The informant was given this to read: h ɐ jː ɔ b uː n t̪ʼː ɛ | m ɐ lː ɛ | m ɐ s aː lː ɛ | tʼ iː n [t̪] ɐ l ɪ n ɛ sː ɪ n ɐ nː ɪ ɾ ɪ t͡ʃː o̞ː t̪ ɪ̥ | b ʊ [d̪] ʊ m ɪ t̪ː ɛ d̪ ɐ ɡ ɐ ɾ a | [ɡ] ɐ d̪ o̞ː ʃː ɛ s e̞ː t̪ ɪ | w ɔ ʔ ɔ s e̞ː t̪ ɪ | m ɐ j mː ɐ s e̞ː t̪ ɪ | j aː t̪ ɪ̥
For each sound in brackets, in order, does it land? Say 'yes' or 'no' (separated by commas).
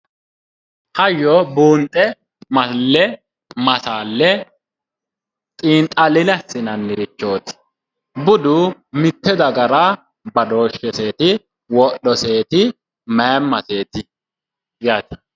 no, yes, no